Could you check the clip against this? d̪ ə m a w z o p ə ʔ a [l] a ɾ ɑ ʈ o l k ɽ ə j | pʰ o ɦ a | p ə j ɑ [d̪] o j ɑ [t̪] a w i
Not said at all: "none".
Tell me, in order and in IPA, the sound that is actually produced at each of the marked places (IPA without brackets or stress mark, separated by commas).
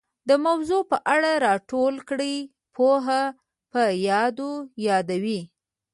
ɽ, d̪, d̪